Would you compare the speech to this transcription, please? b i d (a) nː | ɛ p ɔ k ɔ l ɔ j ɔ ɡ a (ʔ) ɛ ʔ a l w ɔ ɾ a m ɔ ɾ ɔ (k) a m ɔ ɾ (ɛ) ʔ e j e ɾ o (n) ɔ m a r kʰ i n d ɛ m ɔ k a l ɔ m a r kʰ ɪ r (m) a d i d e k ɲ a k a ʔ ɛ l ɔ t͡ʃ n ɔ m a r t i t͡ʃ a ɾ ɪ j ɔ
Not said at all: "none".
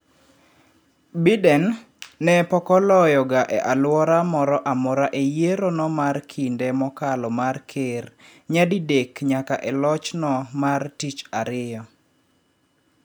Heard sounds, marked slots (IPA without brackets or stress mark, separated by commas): ɛ, ʔ, ʔ, a, n, ɲ